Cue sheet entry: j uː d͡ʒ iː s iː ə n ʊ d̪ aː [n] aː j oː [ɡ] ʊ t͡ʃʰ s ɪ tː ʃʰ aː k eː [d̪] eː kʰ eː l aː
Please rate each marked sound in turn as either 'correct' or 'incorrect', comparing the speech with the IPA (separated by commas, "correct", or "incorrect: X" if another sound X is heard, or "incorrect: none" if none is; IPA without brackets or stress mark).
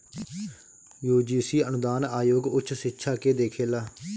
correct, correct, correct